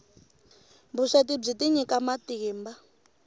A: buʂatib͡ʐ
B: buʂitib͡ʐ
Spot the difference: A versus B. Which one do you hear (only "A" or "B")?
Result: A